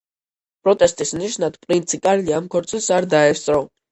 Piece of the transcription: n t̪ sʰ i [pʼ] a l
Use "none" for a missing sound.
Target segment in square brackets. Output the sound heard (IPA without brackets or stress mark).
kʼ